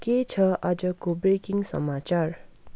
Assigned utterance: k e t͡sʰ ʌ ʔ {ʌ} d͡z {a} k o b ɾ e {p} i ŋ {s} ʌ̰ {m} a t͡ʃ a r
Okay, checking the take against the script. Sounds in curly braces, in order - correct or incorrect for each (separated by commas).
correct, incorrect, incorrect, correct, correct